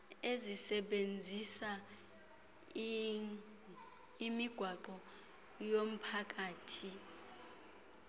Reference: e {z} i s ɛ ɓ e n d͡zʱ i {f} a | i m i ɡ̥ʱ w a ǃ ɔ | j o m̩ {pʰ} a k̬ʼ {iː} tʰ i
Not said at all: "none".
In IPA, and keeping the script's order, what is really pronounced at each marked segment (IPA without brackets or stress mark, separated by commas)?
z, s, pʰ, aː